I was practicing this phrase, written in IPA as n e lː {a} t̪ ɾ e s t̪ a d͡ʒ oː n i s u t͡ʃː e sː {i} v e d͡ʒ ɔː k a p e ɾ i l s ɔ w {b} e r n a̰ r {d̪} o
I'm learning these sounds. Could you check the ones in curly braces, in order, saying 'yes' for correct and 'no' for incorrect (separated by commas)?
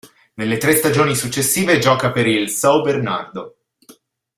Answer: no, no, yes, yes